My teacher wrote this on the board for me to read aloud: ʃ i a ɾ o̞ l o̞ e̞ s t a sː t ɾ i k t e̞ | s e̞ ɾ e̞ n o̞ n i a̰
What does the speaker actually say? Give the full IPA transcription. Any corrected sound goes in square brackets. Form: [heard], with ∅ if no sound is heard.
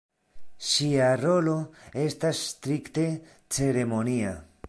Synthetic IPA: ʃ i a ɾ o̞ l o̞ e̞ s t a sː t ɾ i k t e̞ | [t͡s] e̞ ɾ e̞ [m] o̞ n i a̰

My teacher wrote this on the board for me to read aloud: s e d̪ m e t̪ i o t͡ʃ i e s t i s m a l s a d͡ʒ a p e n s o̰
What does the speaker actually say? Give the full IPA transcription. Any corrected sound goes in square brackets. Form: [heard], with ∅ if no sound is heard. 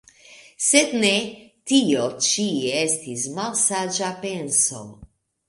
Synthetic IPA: s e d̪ [n] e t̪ i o t͡ʃ i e s t i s m a l s a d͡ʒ a p e n s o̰

